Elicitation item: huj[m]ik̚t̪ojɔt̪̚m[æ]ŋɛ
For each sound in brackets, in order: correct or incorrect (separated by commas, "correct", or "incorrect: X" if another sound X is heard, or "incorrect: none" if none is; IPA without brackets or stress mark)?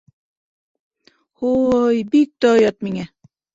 incorrect: b, incorrect: i